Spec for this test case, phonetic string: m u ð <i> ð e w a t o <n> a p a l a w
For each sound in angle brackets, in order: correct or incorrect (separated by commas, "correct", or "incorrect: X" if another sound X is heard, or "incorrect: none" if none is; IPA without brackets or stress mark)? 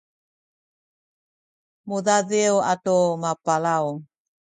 incorrect: a, incorrect: m